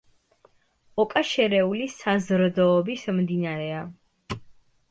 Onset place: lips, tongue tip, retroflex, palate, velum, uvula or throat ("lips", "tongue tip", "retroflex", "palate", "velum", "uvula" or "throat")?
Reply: velum